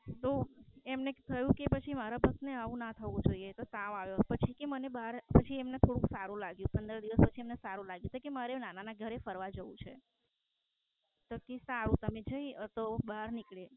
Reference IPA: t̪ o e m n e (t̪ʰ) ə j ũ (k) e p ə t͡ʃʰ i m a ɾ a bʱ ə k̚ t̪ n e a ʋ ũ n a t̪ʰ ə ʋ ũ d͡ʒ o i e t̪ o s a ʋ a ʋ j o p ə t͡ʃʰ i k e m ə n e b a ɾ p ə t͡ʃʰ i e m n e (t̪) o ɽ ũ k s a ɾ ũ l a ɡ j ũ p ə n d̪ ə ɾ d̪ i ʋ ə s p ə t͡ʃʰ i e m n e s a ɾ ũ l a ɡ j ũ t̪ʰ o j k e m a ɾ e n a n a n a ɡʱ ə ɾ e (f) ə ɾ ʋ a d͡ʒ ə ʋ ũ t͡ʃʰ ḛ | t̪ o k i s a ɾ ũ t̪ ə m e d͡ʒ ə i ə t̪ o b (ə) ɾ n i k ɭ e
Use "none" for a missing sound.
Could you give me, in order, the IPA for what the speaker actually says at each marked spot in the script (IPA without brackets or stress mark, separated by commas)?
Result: t̪ʰ, k, t̪ʰ, f, a